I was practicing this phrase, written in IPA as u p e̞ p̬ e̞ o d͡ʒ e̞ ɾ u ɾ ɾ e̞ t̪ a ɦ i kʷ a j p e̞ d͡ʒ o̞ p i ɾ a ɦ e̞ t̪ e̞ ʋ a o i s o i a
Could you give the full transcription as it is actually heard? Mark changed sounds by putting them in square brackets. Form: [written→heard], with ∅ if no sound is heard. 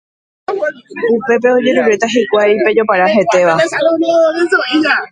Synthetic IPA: u p e̞ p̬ e̞ o d͡ʒ e̞ ɾ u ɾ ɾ e̞ t̪ a ɦ i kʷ a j p e̞ d͡ʒ o̞ p [i→a] ɾ a ɦ e̞ t̪ e̞ ʋ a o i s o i a